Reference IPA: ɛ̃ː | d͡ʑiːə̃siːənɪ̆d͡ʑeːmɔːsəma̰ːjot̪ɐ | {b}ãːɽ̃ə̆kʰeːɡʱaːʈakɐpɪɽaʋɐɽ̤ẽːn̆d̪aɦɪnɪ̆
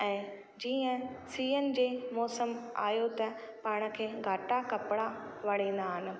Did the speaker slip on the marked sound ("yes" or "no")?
yes